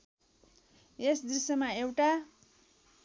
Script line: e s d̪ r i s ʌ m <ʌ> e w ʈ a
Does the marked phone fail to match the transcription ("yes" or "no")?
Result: yes